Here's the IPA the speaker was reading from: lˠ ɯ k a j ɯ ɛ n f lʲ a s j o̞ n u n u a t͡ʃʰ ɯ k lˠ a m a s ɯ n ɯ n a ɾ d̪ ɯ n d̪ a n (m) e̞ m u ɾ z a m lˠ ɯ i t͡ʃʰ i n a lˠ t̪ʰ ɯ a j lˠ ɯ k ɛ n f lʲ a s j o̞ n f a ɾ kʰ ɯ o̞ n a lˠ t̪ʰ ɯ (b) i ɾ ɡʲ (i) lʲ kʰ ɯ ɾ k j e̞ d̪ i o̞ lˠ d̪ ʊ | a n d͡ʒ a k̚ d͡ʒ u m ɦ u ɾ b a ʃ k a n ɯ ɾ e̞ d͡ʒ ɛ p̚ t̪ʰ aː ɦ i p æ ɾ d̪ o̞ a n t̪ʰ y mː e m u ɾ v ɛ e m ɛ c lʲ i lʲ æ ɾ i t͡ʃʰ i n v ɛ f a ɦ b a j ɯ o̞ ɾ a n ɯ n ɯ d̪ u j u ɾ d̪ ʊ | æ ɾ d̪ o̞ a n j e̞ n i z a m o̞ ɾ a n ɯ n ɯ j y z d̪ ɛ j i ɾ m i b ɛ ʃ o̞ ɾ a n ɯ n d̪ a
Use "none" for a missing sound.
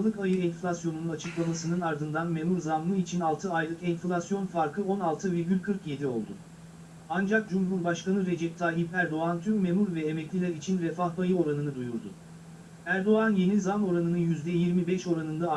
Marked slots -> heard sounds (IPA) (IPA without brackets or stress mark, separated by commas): m, v, y